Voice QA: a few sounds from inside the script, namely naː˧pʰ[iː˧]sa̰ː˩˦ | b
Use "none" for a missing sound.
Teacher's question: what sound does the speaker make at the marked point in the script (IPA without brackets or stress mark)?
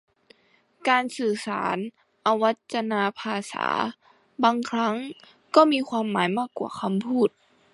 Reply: aː˧